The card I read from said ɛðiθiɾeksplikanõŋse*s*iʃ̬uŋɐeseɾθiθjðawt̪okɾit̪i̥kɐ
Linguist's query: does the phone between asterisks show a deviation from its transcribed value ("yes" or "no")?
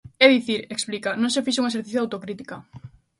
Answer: yes